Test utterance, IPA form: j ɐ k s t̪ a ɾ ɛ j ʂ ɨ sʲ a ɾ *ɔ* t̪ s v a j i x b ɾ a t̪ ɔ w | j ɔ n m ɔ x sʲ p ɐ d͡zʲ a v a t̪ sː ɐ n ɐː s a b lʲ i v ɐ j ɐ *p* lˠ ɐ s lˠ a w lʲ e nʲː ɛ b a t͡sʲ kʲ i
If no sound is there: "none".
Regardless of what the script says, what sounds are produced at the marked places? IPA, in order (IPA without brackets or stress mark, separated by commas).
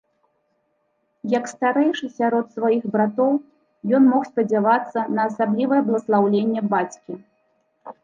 ɔ, b